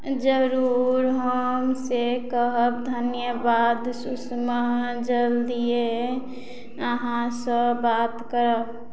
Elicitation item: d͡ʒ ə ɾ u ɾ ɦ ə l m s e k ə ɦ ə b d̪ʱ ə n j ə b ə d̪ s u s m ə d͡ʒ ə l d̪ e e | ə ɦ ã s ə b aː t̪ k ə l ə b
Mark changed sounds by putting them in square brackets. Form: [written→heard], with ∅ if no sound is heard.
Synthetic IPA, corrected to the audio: d͡ʒ ə ɾ u ɾ ɦ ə [l→∅] m s e k ə ɦ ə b d̪ʱ ə n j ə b [ə→a] d̪ s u s m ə d͡ʒ ə l d̪ [e→i] e | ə ɦ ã s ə b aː t̪ k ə [l→ɾ] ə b